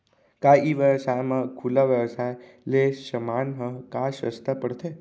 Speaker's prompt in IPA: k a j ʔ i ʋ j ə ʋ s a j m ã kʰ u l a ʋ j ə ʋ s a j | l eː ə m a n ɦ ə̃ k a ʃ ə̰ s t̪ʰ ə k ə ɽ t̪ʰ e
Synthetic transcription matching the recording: k a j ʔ i ʋ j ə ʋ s a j m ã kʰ u l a ʋ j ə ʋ s a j | l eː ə m a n ɦ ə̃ k a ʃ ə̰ s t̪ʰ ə p ə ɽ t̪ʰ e